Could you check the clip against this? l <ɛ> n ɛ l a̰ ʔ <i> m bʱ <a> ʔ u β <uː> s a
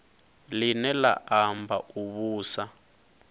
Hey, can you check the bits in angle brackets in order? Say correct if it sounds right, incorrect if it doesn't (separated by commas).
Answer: incorrect, incorrect, correct, correct